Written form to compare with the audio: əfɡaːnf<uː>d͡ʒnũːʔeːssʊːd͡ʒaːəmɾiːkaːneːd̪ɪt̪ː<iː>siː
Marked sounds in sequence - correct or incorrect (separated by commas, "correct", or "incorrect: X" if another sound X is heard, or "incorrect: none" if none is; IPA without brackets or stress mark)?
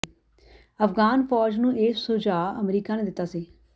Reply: incorrect: ɔː, incorrect: aː